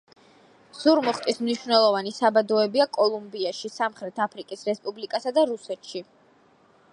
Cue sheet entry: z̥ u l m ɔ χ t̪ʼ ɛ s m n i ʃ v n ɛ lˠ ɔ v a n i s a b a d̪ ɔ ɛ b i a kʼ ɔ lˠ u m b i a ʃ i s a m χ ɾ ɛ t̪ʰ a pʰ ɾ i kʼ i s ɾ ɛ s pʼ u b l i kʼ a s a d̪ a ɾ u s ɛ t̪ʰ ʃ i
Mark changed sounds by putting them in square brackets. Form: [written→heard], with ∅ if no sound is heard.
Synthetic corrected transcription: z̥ u [l→ɾ] m ɔ χ t̪ʼ [ɛ→i] s m n i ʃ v n ɛ lˠ ɔ v a n i s a b a d̪ ɔ ɛ b i a kʼ ɔ lˠ u m b i a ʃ i s a m χ ɾ ɛ t̪ʰ a pʰ ɾ i kʼ i s ɾ ɛ s pʼ u b l i kʼ a s a d̪ a ɾ u s ɛ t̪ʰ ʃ i